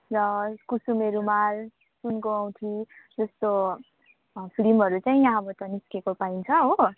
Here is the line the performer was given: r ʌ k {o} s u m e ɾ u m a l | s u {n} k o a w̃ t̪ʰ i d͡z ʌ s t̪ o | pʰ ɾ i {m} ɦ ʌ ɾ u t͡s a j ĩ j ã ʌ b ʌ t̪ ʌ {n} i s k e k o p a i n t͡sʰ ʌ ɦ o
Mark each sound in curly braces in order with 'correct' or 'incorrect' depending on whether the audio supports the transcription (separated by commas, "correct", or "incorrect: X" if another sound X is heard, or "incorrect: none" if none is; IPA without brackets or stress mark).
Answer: incorrect: u, correct, correct, correct